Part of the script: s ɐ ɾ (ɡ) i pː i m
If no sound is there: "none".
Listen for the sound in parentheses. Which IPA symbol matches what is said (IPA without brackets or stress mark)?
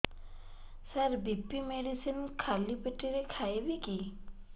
b